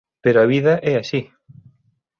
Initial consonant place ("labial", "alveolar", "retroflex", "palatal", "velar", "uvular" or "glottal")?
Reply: labial